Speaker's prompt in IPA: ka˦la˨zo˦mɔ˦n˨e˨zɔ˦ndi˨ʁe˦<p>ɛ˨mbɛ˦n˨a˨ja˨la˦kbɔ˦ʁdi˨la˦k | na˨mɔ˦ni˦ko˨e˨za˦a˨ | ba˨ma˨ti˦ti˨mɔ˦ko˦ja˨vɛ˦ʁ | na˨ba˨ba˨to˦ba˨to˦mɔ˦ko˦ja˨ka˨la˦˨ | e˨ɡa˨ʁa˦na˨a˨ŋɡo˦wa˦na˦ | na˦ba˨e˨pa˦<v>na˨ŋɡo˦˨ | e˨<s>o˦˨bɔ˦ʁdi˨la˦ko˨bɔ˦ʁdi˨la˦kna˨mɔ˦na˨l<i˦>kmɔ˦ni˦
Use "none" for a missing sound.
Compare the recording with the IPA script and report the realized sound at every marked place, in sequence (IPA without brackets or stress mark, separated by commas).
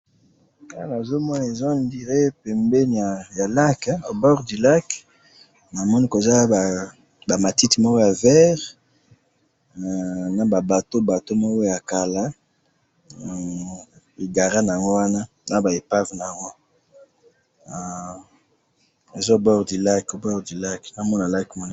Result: p, v, z, a˦